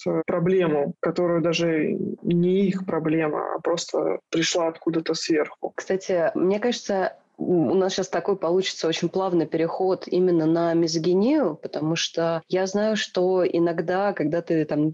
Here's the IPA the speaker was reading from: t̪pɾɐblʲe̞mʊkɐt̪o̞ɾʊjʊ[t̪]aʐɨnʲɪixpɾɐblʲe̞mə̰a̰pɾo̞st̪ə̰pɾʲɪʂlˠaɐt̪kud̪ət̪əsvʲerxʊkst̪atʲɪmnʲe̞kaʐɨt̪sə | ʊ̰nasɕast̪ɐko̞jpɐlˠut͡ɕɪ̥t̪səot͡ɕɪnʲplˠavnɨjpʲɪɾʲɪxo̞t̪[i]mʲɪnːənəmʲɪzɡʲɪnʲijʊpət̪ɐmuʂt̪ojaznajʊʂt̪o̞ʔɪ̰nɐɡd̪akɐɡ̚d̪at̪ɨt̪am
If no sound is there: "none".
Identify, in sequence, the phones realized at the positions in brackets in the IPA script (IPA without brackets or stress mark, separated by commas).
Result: d̪, i